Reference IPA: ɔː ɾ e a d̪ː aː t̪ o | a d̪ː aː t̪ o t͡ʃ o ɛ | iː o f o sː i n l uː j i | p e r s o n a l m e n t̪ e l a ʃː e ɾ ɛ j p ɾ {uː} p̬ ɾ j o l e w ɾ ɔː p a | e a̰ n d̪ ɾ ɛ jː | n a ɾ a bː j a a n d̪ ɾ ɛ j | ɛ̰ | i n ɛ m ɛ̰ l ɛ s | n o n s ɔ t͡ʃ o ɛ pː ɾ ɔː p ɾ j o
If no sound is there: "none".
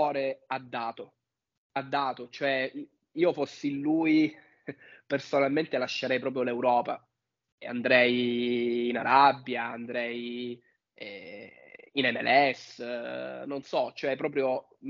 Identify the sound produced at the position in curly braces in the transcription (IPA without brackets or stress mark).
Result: ɔː